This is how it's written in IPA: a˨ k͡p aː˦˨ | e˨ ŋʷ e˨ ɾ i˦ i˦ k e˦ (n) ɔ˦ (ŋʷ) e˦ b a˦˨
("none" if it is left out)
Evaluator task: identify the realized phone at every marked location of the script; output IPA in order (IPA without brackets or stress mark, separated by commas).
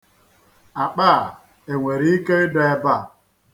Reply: d, none